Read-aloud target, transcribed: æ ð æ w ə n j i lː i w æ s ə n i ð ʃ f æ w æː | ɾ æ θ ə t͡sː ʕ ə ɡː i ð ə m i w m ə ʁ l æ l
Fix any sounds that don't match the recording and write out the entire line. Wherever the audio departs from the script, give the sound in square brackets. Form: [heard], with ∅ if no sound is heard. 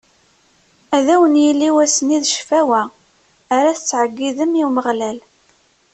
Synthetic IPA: æ ð æ w ə n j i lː i w æ s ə n i ð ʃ f æ w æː | ɾ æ θ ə t͡sː ʕ ə ɡː i ð ə m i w m ə ʁ l æ l